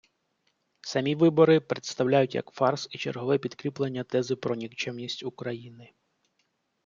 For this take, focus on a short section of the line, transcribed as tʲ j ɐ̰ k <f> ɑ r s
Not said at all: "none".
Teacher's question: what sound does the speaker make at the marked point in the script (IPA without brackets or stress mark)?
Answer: f